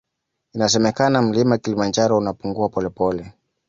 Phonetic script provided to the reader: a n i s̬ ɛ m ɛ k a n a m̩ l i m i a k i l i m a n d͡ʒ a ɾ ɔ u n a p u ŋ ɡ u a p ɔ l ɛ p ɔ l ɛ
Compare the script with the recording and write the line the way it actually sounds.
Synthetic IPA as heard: i n a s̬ ɛ m ɛ k a n a m̩ l i m a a k i l i m a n d͡ʒ a ɾ ɔ u n a p u ŋ ɡ u a p ɔ l ɛ p ɔ l ɛ